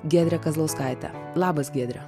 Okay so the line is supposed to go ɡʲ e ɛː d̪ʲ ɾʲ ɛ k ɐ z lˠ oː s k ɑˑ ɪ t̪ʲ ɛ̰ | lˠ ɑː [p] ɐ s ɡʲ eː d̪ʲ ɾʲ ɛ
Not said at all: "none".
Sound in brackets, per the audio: b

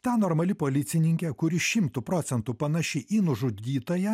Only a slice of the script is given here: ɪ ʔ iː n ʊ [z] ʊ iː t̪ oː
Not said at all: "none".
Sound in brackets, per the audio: ʒ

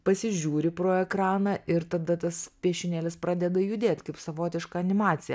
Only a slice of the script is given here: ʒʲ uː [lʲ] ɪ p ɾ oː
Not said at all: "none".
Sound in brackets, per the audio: ɾʲ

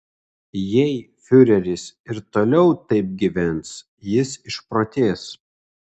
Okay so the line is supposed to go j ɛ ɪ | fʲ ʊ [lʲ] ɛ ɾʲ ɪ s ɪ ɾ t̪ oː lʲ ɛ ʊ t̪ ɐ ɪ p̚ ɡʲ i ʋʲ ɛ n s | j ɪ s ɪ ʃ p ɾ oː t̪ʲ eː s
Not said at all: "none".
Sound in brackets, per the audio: ɾʲ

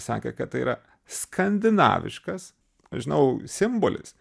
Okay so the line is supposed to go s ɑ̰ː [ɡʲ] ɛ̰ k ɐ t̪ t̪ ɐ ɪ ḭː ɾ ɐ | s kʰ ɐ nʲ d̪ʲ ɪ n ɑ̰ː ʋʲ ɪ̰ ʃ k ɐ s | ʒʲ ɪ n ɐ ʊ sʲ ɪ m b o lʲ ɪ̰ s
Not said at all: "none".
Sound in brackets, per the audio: kʲ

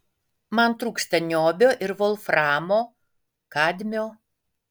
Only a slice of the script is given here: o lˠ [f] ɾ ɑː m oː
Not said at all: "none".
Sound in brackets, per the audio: f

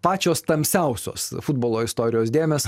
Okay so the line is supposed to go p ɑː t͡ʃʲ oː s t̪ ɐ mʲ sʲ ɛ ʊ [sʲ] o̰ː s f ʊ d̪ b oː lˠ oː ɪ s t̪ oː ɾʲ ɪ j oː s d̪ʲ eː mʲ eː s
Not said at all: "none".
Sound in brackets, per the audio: sʲ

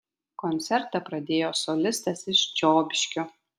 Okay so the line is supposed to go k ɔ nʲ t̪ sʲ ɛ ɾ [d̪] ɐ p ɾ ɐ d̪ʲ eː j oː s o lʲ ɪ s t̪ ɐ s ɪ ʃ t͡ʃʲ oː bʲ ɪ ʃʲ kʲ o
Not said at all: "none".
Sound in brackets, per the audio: t̪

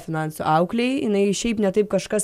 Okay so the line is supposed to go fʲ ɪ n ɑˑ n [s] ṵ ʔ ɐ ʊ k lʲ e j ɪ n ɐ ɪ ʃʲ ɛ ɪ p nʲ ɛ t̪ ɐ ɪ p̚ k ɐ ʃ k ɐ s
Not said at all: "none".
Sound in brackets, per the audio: s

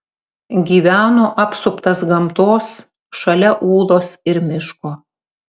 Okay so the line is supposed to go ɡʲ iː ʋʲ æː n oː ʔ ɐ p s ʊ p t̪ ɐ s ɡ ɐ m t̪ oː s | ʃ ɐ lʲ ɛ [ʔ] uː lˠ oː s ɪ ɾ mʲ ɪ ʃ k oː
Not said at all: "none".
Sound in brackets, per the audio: ʔ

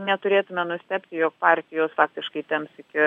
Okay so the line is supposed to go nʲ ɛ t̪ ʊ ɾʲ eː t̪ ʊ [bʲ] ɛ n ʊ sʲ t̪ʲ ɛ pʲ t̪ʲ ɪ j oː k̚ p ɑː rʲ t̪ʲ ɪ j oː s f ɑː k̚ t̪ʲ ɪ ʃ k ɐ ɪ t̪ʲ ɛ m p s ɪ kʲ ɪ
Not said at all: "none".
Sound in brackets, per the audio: mʲ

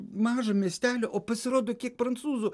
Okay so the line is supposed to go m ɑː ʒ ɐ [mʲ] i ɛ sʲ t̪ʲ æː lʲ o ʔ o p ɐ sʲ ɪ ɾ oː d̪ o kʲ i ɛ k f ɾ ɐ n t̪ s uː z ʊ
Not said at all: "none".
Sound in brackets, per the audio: mʲ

